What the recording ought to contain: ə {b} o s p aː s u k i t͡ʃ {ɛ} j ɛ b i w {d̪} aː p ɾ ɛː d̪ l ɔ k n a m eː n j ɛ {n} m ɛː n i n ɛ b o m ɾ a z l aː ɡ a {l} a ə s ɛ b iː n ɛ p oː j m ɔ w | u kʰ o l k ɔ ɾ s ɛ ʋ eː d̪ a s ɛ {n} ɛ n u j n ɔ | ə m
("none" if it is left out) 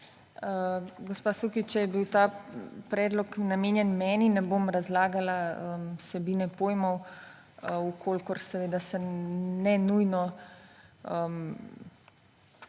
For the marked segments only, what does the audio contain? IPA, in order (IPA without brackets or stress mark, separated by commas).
ɡ, ɛ, t̪, n, l, n